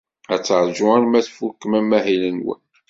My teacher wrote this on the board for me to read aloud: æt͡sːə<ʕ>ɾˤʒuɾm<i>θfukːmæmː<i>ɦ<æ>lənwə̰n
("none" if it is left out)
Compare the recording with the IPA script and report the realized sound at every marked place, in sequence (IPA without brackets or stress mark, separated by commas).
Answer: ʕ, æ, æ, i